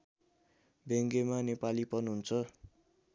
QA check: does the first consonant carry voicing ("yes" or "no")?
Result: yes